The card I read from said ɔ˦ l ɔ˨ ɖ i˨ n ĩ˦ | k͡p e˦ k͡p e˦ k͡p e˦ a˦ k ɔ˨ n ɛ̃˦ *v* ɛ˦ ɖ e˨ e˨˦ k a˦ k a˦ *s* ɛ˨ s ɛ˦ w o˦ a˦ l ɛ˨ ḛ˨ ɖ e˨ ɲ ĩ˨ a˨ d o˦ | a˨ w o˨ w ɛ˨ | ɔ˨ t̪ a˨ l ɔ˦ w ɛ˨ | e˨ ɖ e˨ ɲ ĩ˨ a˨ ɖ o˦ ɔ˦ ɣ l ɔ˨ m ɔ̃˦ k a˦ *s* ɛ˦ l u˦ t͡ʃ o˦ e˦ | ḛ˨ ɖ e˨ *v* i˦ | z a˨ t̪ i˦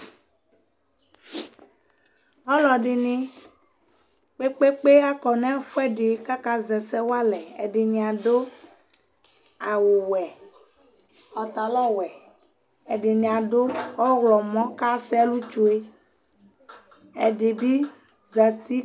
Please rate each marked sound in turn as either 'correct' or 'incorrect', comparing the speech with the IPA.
incorrect: f, incorrect: z, correct, incorrect: b

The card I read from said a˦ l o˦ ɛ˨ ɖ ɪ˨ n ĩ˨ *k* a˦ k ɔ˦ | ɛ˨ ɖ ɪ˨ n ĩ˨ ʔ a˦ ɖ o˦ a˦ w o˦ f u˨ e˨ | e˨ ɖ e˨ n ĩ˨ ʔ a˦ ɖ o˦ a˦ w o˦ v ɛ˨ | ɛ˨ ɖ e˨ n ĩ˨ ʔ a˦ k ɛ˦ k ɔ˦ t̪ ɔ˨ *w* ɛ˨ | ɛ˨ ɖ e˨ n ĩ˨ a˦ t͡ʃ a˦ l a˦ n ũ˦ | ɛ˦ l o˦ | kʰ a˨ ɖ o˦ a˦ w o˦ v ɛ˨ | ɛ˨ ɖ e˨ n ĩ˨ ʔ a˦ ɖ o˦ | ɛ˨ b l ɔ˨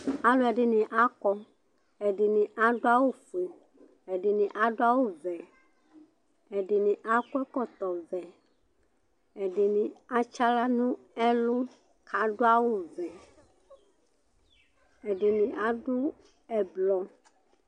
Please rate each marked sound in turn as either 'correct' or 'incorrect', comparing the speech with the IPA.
incorrect: ʔ, incorrect: v

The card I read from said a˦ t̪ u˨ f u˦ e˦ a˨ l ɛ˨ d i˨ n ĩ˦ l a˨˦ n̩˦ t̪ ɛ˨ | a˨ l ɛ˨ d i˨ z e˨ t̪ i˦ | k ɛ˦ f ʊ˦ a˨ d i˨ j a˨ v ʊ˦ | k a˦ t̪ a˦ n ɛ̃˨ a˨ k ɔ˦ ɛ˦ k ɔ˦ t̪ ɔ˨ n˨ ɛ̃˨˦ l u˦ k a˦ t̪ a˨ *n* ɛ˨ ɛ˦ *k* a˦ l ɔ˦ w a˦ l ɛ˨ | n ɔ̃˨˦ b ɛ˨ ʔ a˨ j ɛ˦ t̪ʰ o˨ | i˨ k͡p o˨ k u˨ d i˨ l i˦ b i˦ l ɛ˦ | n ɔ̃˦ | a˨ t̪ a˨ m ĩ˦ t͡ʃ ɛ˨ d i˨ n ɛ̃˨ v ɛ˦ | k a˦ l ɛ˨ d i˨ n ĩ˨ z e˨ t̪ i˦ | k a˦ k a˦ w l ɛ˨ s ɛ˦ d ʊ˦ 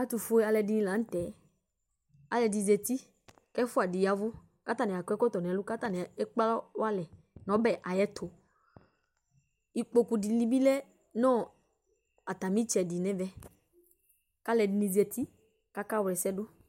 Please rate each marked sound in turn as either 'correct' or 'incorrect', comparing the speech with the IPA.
correct, incorrect: k͡p

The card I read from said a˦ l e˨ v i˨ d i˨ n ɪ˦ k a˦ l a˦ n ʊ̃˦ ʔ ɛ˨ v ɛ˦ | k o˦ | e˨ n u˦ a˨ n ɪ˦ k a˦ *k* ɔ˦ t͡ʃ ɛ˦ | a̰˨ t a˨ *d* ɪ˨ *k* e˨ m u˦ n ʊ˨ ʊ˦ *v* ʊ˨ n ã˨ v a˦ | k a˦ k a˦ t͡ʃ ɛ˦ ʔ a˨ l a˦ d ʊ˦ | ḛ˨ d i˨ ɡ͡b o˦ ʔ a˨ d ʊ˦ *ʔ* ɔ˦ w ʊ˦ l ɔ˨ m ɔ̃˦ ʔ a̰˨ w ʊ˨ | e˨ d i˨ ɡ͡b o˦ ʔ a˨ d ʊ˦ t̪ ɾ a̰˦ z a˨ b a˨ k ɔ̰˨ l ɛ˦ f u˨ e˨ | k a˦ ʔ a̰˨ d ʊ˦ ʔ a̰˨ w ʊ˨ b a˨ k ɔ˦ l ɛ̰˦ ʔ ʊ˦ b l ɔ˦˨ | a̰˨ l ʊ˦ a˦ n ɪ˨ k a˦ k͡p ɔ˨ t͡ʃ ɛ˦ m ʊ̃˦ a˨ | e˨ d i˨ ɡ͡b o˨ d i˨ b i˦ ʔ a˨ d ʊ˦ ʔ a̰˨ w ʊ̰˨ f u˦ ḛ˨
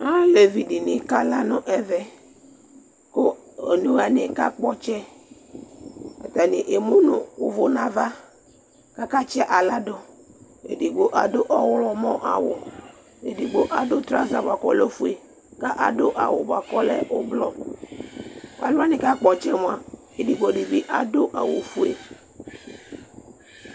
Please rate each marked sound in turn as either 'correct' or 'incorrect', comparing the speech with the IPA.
incorrect: k͡p, incorrect: n, incorrect: ʔ, correct, correct

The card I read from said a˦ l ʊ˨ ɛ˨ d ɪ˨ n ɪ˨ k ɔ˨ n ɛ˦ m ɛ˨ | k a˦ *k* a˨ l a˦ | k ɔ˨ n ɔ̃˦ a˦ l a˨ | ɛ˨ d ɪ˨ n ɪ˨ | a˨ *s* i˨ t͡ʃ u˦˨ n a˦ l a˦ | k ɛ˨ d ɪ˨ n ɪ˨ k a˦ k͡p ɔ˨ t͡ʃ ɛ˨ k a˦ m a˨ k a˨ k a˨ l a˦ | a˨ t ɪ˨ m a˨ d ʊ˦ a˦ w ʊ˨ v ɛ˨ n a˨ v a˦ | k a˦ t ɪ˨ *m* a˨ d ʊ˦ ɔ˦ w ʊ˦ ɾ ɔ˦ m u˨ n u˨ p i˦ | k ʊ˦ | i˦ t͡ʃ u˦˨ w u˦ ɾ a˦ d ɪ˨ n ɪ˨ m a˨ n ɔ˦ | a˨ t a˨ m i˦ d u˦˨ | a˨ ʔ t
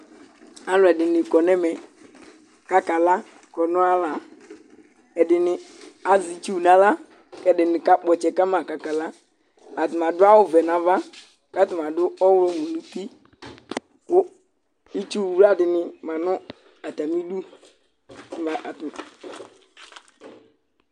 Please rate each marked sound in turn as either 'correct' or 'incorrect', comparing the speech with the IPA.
correct, incorrect: z, correct

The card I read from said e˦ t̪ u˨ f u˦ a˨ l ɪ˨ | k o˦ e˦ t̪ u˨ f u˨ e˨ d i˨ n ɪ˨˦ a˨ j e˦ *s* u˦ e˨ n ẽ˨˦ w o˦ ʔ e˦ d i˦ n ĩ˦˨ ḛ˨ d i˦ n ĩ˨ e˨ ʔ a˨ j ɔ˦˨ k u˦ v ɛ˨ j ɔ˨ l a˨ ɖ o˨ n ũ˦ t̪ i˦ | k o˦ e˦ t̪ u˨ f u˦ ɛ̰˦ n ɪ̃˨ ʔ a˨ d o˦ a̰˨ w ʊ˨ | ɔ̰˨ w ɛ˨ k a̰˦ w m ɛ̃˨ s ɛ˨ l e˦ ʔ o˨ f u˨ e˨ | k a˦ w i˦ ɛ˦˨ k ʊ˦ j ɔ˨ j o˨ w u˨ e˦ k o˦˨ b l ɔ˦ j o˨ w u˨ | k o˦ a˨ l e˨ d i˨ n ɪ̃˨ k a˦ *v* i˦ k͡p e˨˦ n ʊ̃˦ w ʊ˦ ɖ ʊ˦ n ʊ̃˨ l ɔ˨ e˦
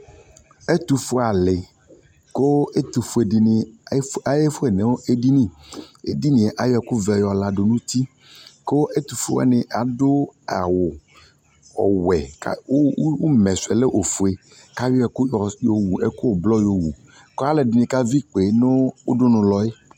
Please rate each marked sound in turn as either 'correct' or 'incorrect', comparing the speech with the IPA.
incorrect: f, correct

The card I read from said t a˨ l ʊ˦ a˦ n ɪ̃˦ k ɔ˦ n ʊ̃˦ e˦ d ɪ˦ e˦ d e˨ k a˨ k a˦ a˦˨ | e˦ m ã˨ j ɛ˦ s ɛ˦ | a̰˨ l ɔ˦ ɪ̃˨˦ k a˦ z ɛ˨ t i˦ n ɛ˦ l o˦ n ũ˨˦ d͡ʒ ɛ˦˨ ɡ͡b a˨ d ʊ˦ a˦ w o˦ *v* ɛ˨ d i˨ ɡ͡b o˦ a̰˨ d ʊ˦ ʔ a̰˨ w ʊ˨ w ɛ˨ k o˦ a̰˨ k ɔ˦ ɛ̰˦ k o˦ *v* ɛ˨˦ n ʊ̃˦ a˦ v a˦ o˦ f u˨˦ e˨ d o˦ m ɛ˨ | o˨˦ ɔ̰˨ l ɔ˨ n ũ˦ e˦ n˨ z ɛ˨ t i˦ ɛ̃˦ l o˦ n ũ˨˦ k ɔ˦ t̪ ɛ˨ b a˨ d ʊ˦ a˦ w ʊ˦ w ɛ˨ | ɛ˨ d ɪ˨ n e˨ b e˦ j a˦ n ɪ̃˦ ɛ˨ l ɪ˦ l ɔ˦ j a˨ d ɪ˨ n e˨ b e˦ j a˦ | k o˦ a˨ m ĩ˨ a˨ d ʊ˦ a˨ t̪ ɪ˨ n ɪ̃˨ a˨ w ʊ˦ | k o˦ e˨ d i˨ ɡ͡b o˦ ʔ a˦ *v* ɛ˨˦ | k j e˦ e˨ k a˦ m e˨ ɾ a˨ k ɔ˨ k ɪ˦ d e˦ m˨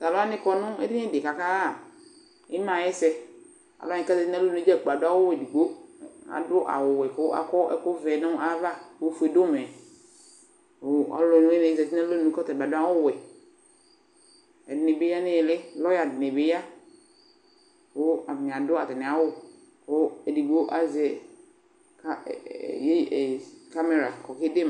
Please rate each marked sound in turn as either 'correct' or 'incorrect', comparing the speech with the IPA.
incorrect: w, correct, incorrect: z

